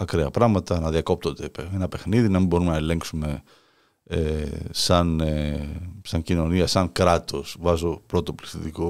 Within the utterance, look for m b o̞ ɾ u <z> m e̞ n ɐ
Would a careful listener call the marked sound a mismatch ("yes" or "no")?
yes